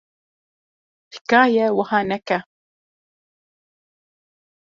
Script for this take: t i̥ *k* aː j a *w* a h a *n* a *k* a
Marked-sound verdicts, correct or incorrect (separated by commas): correct, correct, correct, correct